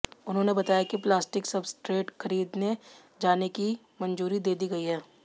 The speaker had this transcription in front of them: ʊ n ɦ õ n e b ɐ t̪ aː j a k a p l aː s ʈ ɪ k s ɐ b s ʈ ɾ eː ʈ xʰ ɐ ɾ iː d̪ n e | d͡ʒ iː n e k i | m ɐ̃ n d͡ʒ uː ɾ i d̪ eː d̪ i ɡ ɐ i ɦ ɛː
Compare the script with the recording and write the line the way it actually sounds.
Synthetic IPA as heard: ʊ n ɦ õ n e b ɐ t̪ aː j a k i p l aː s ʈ ɪ k s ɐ b s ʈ ɾ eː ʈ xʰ ɐ ɾ iː d̪ n e | d͡ʒ aː n e k i | m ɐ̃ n d͡ʒ uː ɾ i d̪ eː d̪ i ɡ ɐ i ɦ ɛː